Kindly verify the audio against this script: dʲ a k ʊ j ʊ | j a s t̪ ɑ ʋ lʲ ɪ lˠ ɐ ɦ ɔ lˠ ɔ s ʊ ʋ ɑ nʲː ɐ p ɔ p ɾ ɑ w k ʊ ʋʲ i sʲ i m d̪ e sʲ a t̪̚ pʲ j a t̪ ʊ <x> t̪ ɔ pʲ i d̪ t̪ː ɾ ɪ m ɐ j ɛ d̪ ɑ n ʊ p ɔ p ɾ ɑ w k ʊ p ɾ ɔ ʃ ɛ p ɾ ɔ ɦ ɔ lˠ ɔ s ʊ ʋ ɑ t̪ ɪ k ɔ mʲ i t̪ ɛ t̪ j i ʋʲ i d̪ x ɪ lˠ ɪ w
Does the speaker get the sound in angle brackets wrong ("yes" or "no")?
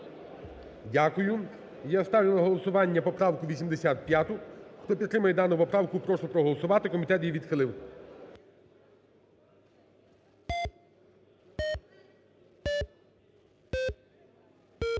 no